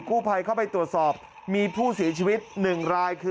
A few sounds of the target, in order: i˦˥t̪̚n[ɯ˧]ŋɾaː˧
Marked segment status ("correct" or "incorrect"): incorrect